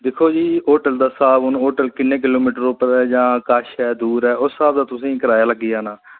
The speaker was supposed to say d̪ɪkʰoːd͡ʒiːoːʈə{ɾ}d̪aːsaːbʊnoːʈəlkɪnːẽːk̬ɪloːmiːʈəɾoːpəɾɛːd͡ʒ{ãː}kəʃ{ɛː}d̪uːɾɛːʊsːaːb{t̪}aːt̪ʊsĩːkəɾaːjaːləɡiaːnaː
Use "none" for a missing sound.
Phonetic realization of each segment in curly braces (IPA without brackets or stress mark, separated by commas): l, ãː, ɛː, d̪